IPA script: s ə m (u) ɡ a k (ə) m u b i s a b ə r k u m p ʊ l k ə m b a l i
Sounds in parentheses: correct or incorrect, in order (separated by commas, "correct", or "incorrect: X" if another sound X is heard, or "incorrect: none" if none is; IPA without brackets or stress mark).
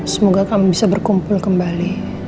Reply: incorrect: o, incorrect: a